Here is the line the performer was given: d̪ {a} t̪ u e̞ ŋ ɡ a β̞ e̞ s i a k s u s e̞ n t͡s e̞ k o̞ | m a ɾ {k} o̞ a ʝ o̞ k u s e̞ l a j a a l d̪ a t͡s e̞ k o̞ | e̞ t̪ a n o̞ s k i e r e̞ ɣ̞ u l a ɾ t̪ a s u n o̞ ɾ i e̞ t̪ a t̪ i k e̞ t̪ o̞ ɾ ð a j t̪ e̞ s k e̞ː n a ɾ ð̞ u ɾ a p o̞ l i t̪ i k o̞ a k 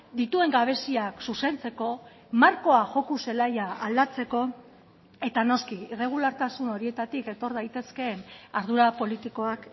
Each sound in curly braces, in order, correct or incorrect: incorrect: i, correct

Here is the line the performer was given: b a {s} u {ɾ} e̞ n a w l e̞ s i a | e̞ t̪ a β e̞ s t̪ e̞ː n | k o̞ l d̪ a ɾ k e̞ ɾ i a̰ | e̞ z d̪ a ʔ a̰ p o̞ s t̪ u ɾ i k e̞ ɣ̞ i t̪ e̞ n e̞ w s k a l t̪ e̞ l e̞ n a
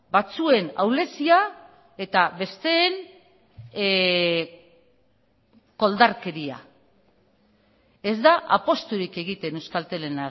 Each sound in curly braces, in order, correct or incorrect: incorrect: t͡s, incorrect: none

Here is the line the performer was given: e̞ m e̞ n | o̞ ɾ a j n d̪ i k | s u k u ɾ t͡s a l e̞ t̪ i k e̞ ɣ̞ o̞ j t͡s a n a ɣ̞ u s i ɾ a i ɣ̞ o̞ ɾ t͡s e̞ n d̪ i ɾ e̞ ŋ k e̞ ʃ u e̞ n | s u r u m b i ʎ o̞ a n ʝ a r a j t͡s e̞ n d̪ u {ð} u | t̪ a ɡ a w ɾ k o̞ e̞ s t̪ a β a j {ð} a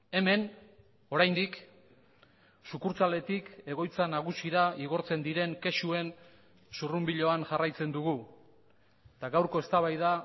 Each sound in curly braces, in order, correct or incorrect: incorrect: ɣ, correct

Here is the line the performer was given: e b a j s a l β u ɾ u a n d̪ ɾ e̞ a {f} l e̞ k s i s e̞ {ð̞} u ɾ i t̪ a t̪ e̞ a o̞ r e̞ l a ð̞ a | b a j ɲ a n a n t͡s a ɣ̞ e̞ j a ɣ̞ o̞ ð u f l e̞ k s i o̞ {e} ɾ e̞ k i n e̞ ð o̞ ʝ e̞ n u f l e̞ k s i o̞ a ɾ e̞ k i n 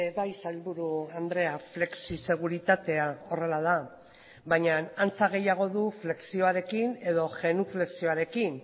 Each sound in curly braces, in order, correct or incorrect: correct, incorrect: ɣ̞, incorrect: a

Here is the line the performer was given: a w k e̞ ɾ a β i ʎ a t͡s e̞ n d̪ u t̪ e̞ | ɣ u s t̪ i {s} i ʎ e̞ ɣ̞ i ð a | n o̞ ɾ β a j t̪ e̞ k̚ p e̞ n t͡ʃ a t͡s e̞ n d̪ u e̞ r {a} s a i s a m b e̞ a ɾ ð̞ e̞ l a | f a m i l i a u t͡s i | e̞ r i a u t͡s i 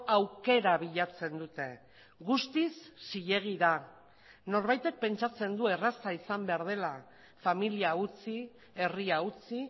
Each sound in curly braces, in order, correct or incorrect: incorrect: sː, correct

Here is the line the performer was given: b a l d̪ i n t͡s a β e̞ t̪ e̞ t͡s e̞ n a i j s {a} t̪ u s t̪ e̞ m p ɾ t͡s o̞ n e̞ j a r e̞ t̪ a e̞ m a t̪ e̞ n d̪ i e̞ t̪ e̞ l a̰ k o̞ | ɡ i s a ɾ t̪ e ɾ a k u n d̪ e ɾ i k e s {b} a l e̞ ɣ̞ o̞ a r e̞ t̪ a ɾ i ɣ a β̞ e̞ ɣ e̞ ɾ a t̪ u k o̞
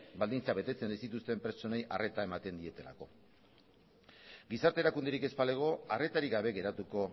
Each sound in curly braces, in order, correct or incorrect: incorrect: i, incorrect: p

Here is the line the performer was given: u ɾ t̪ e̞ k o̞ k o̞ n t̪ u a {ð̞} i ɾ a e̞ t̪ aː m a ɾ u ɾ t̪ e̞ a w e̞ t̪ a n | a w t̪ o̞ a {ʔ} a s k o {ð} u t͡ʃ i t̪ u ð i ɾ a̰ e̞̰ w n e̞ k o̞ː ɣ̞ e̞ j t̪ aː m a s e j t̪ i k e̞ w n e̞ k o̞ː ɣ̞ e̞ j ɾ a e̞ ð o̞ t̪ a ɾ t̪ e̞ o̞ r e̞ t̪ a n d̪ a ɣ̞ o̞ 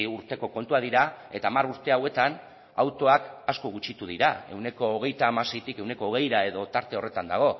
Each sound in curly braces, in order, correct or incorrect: correct, incorrect: k, incorrect: ɣ

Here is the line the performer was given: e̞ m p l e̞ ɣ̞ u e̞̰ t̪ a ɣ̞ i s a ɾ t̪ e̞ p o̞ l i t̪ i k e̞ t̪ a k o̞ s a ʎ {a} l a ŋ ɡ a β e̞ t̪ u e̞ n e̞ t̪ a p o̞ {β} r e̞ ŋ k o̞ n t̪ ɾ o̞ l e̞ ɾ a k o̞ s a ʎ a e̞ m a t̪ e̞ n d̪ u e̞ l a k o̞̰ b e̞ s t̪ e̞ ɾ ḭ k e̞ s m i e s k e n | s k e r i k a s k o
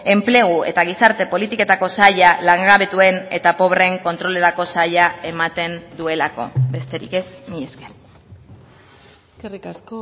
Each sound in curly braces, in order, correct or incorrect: correct, correct

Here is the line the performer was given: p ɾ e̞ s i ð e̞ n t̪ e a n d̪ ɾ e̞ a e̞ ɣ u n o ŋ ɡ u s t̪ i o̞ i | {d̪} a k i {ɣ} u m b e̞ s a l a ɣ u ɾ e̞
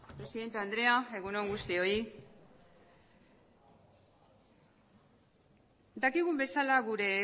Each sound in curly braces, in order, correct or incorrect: correct, correct

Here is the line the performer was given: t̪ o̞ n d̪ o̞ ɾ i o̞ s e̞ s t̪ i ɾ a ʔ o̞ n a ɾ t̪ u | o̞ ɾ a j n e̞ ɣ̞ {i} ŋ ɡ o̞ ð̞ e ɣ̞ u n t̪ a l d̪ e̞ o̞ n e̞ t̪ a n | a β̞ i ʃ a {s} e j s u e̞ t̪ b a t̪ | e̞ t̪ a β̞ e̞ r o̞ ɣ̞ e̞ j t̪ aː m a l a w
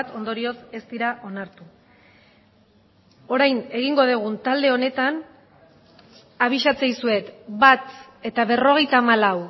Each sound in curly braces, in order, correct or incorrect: correct, incorrect: t͡s

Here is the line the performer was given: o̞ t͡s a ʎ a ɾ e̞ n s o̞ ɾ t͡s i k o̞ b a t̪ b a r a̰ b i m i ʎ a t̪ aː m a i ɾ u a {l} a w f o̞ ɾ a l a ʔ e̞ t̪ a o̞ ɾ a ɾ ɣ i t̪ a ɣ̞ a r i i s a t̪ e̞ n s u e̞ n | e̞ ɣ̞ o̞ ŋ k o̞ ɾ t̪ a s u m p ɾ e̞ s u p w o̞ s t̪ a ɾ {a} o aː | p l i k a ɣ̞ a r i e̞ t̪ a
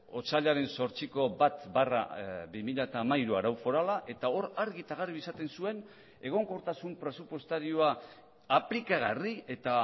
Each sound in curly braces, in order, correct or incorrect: incorrect: ɾ, incorrect: i

